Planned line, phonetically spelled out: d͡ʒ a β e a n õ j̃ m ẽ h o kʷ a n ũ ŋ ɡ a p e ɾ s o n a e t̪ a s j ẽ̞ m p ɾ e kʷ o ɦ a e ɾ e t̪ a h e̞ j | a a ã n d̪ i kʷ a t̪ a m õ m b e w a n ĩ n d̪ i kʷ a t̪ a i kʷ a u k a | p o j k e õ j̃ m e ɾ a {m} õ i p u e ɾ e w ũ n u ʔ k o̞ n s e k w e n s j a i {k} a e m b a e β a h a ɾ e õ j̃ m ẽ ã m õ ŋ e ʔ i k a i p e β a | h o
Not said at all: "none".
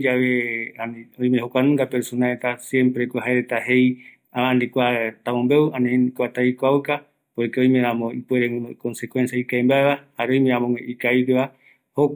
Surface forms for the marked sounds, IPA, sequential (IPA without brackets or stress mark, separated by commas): m, k